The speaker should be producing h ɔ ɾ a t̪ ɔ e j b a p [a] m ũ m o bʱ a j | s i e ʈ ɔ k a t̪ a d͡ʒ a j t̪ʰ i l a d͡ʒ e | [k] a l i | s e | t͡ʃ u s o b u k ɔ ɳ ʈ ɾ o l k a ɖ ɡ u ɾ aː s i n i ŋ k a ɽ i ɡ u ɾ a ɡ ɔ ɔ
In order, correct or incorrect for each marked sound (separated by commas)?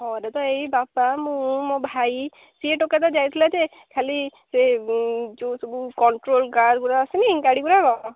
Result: correct, incorrect